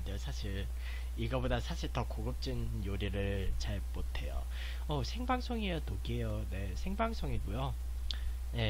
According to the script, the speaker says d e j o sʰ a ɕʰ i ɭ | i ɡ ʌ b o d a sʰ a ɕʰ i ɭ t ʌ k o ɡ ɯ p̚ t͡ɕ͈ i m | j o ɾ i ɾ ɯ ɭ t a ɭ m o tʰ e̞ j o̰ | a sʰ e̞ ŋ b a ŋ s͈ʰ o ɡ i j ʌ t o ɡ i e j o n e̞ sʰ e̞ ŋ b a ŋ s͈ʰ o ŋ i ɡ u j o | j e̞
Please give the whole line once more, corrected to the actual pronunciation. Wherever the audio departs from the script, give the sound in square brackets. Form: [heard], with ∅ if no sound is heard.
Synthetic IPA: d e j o sʰ a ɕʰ i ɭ | i ɡ ʌ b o d a sʰ a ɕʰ i ɭ t ʌ k o ɡ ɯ p̚ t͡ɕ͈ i [n] | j o ɾ i ɾ ɯ ɭ [t͡ɕ] a ɭ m o tʰ e̞ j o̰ | [ʌ] sʰ e̞ ŋ b a ŋ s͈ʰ o [ŋ] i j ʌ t o ɡ i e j o n e̞ sʰ e̞ ŋ b a ŋ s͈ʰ o ŋ i ɡ u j o | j e̞